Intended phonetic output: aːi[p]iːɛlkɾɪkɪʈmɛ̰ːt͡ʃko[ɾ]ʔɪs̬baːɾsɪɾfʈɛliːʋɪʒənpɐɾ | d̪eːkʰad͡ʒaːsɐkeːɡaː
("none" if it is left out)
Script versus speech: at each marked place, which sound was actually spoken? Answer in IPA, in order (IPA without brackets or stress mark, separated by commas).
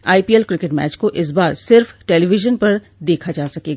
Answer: p, none